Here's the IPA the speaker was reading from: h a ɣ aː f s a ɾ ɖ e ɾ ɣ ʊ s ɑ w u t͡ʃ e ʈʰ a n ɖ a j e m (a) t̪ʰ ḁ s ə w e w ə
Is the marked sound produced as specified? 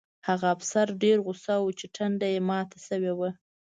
no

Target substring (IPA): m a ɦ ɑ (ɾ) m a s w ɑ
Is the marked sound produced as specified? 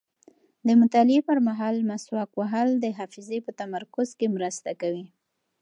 no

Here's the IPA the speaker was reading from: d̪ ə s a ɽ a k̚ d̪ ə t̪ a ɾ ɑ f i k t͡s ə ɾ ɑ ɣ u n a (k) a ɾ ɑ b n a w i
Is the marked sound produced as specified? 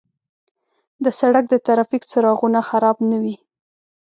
no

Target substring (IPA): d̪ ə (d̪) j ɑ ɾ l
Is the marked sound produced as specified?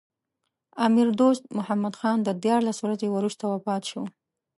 yes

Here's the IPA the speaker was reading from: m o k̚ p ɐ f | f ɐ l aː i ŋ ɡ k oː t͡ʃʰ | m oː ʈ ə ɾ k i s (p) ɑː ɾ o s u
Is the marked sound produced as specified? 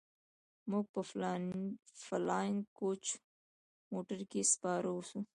yes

